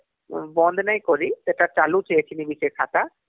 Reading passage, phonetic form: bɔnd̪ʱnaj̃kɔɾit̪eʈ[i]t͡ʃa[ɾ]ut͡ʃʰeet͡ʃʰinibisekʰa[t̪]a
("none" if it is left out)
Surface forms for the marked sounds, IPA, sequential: a, l, t̪

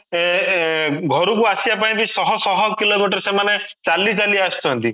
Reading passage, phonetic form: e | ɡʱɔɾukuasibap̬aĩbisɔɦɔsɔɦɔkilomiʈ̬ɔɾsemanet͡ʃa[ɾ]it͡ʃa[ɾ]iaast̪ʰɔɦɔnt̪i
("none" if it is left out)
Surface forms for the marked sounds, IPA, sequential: l, l

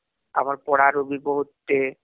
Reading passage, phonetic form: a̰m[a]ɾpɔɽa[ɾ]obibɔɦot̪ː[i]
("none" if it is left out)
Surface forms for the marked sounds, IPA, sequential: a, ɾ, e

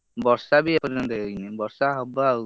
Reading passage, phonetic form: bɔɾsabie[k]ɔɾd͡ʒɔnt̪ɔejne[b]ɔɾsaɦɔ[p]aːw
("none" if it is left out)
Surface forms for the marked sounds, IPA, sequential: p, b, b

